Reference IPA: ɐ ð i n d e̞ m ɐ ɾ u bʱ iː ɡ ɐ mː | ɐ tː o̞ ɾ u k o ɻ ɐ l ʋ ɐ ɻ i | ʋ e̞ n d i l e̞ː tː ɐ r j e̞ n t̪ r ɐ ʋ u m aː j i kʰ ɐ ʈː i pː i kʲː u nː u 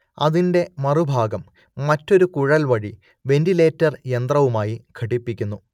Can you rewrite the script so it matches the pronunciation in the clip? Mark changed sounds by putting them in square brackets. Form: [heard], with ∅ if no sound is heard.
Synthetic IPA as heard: ɐ ð i n d e̞ m ɐ [r] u bʱ [aː] ɡ ɐ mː | ɐ tː o̞ ɾ u k [u] ɻ ɐ l ʋ ɐ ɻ i | ʋ e̞ n d i l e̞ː tː ɐ r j e̞ n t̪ r ɐ ʋ u m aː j i kʰ ɐ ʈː i pː i kʲː u nː u